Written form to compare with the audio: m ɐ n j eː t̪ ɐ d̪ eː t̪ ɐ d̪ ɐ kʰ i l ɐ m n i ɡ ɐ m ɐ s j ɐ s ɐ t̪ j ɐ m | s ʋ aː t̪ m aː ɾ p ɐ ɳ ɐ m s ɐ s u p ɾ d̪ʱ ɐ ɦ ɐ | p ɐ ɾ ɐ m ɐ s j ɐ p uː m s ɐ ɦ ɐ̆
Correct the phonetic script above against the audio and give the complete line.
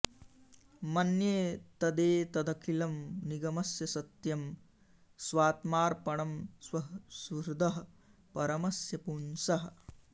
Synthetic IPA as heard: m ɐ n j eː t̪ ɐ d̪ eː t̪ ɐ d̪ ɐ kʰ i l ɐ m n i ɡ ɐ m ɐ s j ɐ s ɐ t̪ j ɐ m | s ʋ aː t̪ m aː ɾ p ɐ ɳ ɐ m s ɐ s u ɾ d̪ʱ ɐ ɦ ɐ | p ɐ ɾ ɐ m ɐ s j ɐ p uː n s ɐ ɦ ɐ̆